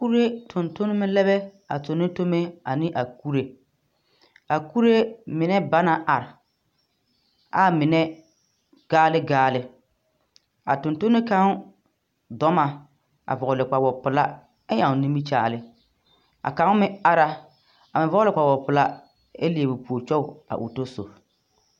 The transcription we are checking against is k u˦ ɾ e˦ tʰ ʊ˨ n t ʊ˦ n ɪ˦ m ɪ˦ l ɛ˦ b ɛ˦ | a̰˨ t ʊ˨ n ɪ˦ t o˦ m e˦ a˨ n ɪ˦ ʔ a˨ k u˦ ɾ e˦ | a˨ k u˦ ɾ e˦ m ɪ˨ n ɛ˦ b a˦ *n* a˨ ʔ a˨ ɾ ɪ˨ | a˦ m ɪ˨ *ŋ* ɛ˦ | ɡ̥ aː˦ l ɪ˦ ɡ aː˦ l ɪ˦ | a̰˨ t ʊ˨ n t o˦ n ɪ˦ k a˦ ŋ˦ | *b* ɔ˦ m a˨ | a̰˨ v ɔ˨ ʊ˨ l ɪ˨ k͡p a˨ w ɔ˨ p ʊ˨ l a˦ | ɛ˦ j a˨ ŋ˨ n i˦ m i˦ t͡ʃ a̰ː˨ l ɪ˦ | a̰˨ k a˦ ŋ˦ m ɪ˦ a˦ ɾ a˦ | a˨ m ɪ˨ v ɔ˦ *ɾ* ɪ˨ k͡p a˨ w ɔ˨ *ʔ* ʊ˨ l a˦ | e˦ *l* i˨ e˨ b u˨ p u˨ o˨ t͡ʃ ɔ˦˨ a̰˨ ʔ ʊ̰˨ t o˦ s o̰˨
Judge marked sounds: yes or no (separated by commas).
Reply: yes, no, no, no, no, yes